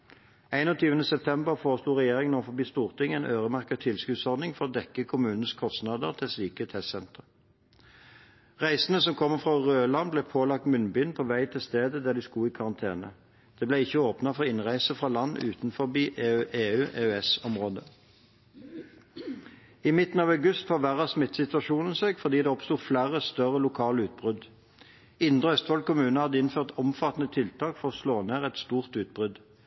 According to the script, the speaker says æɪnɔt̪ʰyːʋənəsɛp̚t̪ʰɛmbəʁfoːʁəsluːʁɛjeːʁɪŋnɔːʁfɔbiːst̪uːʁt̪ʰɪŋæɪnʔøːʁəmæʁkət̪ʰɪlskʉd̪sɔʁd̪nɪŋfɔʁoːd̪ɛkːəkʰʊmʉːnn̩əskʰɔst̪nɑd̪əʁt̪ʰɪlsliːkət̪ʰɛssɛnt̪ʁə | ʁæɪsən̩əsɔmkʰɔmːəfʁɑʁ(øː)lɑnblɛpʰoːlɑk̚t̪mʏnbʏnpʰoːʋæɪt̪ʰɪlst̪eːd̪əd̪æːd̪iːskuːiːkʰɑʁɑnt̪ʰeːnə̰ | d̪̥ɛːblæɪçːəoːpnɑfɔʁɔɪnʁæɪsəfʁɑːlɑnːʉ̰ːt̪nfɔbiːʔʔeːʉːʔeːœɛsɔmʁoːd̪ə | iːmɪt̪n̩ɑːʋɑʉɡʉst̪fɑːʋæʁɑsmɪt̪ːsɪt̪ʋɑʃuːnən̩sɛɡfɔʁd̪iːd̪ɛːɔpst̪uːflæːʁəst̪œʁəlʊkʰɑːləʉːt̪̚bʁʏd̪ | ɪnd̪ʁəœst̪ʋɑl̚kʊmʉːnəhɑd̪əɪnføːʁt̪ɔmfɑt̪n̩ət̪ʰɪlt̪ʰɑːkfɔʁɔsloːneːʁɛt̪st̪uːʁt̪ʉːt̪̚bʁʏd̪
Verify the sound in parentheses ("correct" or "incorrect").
correct